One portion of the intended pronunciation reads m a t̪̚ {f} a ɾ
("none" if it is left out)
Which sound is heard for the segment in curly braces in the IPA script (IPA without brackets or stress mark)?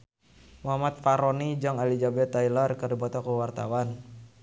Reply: f